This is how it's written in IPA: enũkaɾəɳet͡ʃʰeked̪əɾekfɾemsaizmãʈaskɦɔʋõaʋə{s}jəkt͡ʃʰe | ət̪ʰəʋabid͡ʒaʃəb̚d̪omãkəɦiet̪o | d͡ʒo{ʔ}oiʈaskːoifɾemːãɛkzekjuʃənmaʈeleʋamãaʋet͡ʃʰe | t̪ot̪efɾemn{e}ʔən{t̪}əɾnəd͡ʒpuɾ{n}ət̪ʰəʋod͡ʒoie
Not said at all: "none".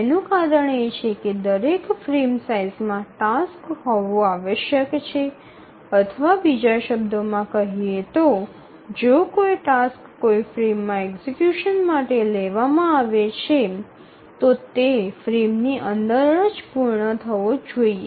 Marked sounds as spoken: ʃ, k, i, d̪, ɳ

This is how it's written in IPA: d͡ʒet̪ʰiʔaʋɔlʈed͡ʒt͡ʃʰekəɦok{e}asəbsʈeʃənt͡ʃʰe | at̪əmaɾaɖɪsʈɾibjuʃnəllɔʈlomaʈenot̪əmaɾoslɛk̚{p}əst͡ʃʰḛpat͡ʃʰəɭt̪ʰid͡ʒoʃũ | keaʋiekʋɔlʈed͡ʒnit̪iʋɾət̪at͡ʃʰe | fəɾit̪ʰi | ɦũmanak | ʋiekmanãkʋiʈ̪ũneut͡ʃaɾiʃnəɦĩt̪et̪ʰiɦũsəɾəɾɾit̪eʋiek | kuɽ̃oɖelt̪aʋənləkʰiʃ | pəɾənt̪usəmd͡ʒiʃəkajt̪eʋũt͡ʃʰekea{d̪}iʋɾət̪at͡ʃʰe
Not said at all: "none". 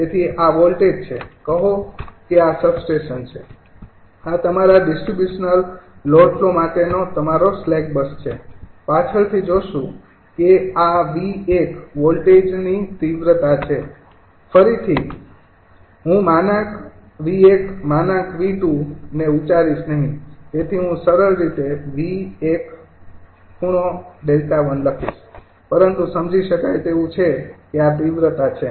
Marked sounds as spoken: e, b, t̪

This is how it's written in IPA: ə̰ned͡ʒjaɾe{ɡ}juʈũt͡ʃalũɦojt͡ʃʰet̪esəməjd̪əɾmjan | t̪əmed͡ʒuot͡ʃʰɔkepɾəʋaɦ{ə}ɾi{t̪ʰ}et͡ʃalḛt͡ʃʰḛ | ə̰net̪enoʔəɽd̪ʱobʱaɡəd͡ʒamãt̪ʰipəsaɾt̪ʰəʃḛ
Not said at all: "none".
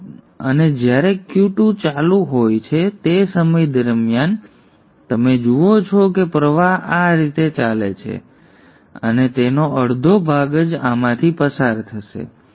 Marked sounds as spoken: k, a, t̪

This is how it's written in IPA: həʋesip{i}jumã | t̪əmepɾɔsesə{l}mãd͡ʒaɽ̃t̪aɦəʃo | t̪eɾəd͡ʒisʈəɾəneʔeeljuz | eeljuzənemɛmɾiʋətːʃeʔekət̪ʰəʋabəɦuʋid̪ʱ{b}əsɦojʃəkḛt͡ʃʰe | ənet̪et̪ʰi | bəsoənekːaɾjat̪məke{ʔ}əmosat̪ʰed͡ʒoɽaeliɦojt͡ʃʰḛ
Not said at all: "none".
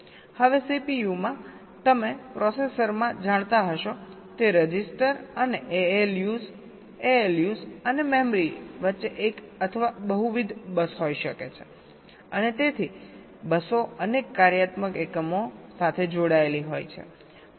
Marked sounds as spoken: i, ɾ, b, k

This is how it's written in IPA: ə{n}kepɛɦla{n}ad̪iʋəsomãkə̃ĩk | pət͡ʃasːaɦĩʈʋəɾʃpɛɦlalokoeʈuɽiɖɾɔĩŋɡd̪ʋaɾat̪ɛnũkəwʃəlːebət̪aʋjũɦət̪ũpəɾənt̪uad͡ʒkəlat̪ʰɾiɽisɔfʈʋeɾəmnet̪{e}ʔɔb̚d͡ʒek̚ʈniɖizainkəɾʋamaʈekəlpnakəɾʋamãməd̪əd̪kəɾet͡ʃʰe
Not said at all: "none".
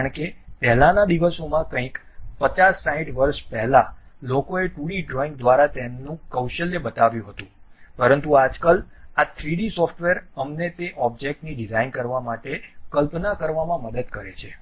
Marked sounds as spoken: ɳ, n, e

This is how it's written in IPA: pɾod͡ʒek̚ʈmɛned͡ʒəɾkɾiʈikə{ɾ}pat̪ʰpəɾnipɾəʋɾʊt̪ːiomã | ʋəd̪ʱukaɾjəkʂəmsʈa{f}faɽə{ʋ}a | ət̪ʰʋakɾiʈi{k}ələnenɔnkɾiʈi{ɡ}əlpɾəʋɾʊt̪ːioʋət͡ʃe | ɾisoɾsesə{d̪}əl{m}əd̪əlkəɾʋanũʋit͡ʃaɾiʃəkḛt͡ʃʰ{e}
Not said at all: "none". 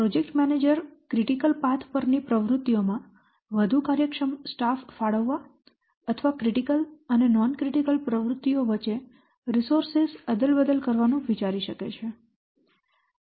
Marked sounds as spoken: l, f, ʋː, k, k, d̪, b, e

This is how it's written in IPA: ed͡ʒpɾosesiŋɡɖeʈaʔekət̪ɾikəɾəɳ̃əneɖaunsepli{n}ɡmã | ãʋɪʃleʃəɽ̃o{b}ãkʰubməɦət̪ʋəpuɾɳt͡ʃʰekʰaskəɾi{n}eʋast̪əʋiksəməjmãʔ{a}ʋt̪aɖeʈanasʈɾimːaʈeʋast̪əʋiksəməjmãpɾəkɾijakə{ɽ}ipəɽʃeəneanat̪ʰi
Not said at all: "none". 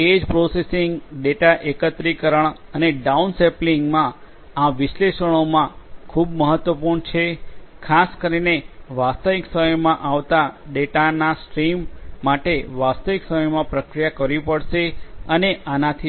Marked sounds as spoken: ŋ, m, n, a, ɾ

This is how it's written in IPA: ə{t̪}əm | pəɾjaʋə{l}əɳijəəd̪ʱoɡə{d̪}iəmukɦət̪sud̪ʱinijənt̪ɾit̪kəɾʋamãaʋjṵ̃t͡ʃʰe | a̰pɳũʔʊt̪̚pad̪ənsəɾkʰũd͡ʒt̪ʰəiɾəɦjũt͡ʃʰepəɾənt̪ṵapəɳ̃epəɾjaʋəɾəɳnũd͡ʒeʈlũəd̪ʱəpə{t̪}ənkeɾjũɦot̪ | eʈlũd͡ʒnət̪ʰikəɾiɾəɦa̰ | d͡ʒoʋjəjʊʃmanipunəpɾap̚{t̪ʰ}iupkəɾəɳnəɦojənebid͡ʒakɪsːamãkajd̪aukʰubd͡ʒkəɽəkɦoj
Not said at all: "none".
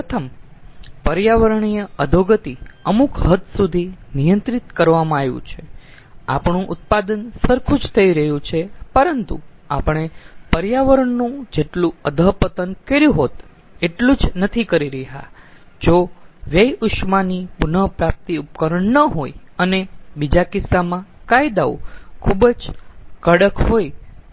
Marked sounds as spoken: t̪ʰ, ɾ, t̪, t̪, t̪

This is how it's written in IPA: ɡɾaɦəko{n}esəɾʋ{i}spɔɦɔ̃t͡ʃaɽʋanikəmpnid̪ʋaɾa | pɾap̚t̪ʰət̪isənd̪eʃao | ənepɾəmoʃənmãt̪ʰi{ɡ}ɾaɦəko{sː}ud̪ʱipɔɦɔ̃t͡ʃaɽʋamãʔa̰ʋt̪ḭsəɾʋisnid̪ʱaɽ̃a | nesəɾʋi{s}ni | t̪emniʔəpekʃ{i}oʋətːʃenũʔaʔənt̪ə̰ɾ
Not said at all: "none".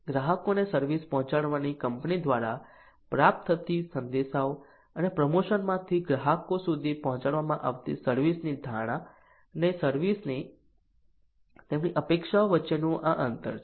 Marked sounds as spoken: n, i, ɡ, s, s, a

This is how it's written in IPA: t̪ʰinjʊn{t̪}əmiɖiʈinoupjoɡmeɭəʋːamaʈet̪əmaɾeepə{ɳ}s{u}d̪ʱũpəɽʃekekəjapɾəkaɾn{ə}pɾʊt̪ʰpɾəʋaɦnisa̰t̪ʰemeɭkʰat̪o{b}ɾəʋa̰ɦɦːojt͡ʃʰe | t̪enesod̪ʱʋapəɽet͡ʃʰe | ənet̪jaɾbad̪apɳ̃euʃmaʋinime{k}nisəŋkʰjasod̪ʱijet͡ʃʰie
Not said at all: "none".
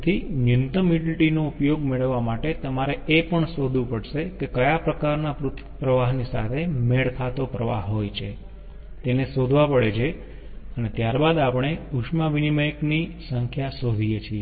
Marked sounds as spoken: t̪, ɳ, o, a, p, k

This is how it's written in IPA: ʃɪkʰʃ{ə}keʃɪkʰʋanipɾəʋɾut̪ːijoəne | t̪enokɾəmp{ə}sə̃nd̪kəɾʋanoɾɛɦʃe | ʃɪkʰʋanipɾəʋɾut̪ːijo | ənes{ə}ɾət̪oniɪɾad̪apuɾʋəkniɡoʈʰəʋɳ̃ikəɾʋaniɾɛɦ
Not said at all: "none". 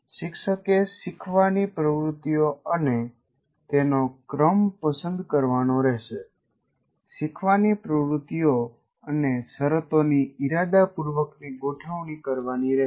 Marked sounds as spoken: ə, ə, ə

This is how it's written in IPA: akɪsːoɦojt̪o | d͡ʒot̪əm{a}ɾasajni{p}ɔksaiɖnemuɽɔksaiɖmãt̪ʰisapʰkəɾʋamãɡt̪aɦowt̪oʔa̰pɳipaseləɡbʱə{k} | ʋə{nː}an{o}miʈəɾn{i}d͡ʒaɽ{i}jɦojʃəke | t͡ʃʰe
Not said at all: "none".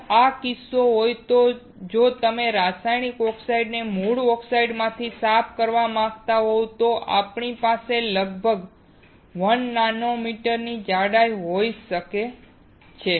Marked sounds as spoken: e, k, ɡ, nː, o, i, a

